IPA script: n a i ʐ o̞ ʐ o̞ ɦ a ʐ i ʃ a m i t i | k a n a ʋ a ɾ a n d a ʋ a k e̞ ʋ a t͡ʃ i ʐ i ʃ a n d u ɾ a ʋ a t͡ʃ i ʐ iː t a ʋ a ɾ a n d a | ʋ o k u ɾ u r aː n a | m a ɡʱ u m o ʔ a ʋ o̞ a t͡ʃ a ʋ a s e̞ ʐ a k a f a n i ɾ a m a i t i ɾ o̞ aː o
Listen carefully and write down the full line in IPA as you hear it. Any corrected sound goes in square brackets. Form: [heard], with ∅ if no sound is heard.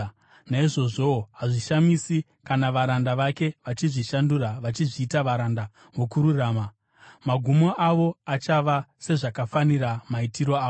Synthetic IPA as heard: n a i ʐ o̞ ʐ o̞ ɦ a ʐ i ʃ a m i [s] i | k a n a ʋ a ɾ a n d a ʋ a k e̞ ʋ a t͡ʃ i ʐ i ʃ a n d u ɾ a ʋ a t͡ʃ i ʐ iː t a ʋ a ɾ a n d a | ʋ o k u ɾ u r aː [m] a | m a ɡʱ u m o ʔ a ʋ o̞ a t͡ʃ a ʋ a s e̞ ʐ a k a f a n i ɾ a m a i t i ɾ o̞ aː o